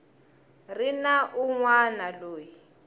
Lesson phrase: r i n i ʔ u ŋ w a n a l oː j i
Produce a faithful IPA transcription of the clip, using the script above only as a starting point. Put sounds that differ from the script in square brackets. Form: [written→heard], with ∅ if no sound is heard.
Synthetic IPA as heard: r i n [i→a] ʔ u ŋ w a n a l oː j i